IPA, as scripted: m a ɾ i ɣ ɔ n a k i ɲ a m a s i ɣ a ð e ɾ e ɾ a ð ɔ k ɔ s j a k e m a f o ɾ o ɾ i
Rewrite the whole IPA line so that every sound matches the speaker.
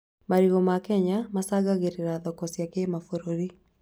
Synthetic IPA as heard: m a ɾ i ɣ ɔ m a k ɛ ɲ a m a s a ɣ a ɣ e ɾ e ɾ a ð ɔ k ɔ s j a k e m a f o ɾ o ɾ i